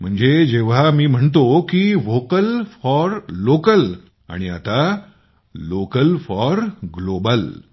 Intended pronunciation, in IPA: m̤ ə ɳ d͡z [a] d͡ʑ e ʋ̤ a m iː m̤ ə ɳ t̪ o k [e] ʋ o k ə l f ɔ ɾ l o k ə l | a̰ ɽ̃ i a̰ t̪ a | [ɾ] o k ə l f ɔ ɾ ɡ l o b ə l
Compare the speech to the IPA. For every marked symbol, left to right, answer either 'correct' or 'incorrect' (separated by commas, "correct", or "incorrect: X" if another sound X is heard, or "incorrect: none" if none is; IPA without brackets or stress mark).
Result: incorrect: e, incorrect: i, incorrect: l